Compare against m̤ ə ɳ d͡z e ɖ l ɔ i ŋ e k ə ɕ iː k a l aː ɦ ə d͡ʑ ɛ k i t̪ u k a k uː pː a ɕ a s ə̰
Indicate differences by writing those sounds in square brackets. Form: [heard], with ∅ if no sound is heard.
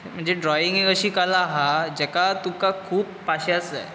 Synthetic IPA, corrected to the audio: m̤ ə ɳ d͡z e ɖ [ɾ] ɔ i ŋ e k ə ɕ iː k a l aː ɦ [a] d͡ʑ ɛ k [a] t̪ u k a [kʰ] uː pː a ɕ a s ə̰